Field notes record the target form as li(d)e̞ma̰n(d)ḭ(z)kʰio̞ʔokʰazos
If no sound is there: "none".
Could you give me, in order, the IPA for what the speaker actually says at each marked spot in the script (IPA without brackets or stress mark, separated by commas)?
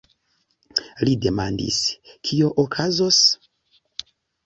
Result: d, d, s